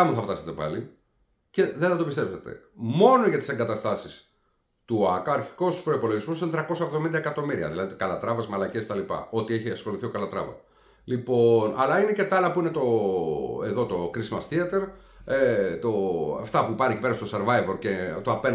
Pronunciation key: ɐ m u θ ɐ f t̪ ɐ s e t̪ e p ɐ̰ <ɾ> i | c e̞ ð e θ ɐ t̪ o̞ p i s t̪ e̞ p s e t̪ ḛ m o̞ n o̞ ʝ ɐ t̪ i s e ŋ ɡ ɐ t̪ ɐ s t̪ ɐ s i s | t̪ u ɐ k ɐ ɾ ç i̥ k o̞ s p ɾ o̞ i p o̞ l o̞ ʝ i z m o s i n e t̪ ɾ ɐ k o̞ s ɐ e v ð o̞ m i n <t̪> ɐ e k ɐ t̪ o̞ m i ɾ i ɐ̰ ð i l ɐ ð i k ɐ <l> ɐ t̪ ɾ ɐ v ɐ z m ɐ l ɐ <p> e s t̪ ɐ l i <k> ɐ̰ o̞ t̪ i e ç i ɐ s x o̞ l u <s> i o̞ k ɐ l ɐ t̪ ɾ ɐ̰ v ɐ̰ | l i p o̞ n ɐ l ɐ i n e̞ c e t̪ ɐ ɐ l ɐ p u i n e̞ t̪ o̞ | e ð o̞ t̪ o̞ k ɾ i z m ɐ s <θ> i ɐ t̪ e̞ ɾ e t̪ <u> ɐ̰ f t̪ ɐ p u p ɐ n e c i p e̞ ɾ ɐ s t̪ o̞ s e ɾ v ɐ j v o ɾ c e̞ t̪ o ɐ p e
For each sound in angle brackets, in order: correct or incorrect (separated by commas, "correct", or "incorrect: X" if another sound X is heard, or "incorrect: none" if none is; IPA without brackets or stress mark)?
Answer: incorrect: l, incorrect: d̪, correct, incorrect: c, incorrect: p, incorrect: θ, correct, incorrect: o